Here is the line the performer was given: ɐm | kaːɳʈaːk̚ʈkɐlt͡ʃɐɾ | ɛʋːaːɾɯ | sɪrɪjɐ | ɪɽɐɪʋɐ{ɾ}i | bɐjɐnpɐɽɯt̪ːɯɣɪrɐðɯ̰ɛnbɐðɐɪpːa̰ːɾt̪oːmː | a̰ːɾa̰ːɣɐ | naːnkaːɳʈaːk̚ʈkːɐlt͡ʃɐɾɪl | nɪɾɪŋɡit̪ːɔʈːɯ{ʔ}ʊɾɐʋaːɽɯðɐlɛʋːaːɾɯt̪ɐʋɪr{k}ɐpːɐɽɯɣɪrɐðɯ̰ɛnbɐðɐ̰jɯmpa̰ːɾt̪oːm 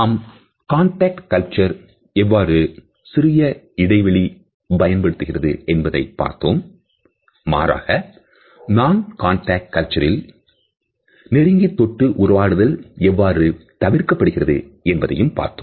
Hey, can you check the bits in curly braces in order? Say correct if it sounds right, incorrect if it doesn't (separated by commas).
incorrect, correct, correct